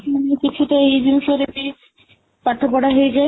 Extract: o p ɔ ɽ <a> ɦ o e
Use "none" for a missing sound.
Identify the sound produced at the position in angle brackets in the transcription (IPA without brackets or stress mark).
a